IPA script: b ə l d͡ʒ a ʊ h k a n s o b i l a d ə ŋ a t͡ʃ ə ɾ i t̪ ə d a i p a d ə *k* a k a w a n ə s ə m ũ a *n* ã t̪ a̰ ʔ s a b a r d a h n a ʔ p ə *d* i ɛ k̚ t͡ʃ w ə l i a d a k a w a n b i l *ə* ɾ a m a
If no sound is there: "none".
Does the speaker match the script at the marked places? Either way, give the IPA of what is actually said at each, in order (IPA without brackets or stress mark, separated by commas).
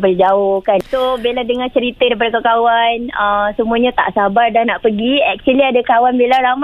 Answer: k, ɲ, ɡ, a